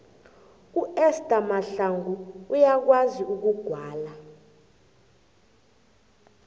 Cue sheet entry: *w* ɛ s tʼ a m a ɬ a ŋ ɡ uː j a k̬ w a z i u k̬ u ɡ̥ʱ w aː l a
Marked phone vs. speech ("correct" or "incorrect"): incorrect